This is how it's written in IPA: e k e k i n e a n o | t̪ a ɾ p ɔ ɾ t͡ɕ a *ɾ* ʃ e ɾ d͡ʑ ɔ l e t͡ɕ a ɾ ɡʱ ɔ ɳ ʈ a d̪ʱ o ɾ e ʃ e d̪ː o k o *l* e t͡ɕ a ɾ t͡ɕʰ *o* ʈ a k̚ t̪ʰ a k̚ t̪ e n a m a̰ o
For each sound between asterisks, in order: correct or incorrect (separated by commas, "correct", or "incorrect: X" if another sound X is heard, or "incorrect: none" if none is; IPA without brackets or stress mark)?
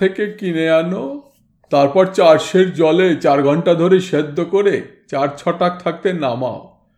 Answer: correct, incorrect: ɾ, incorrect: ɔ